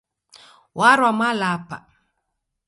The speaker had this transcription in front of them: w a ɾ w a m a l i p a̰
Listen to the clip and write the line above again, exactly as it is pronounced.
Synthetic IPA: w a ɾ w a m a l a p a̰